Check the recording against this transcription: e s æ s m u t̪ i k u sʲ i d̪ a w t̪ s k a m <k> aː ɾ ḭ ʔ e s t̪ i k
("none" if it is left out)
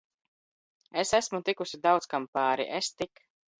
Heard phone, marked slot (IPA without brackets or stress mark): p